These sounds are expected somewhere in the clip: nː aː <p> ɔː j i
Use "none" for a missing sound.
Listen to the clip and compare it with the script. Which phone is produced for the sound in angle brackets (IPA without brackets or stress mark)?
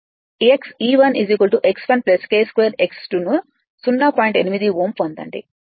p